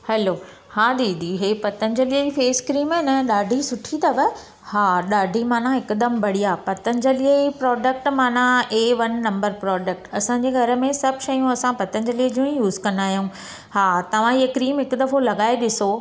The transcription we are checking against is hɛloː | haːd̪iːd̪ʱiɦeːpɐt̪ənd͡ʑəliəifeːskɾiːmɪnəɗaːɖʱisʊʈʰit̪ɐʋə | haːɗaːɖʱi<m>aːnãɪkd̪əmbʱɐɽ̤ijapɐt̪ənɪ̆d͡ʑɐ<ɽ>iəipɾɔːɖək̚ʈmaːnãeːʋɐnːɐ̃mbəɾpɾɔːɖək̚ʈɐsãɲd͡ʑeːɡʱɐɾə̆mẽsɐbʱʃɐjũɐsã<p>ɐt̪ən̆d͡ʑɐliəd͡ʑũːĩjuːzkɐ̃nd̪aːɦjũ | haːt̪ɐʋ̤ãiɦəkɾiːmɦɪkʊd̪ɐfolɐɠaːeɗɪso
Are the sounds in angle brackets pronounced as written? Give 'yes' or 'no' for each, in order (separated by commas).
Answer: yes, no, yes